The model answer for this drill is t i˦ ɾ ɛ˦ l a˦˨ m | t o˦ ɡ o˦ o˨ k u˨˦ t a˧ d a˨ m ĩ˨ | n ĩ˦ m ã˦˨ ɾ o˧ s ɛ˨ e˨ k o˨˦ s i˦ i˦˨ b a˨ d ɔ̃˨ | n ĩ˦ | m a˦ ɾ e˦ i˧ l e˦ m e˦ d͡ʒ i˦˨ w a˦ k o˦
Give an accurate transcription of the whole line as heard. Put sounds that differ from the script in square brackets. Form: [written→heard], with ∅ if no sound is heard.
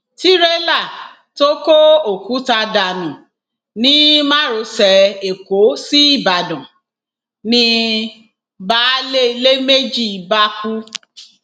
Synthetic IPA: t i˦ ɾ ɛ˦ l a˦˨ [m→∅] | t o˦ [ɡ→k] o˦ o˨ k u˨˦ t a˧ d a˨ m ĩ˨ | n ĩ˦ m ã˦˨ ɾ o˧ s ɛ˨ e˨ k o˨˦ s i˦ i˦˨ b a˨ d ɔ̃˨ | n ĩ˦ | [m→b] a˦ [ɾ→l] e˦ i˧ l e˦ m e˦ d͡ʒ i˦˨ [w→b] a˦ k [o˦→u˦]